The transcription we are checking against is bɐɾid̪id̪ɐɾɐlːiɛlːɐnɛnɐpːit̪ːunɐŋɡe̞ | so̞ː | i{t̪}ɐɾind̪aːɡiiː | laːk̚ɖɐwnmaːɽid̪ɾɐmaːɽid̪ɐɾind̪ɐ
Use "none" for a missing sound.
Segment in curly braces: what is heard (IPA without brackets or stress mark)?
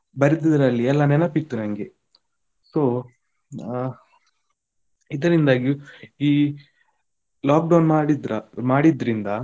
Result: d̪